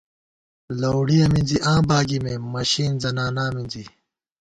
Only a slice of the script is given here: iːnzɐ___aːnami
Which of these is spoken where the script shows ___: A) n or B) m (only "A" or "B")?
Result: A